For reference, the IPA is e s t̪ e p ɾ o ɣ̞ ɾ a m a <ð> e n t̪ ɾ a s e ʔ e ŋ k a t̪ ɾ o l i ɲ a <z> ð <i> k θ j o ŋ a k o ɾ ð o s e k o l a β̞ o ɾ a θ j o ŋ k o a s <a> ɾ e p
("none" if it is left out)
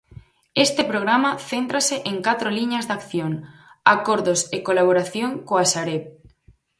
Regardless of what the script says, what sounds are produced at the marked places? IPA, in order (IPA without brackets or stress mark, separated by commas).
θ, z, a, a